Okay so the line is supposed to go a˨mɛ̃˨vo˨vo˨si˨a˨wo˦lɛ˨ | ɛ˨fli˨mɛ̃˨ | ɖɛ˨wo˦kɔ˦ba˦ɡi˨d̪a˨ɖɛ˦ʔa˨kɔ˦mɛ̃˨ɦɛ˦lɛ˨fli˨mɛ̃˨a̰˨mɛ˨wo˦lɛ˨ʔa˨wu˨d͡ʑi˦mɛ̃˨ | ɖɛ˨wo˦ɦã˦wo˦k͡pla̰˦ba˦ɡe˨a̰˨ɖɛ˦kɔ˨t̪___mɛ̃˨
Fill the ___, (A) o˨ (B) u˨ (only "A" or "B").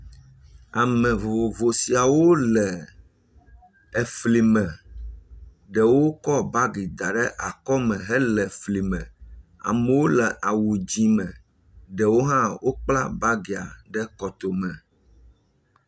A